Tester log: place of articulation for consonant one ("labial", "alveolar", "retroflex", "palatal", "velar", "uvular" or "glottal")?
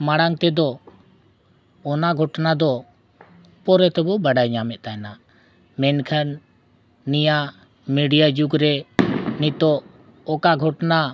labial